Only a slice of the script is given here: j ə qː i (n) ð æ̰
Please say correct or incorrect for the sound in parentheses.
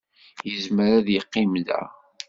incorrect